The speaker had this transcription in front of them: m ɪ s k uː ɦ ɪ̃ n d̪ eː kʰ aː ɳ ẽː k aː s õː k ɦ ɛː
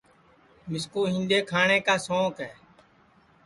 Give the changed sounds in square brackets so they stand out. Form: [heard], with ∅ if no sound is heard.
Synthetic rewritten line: m ɪ s k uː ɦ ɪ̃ n d̪ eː kʰ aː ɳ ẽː k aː s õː k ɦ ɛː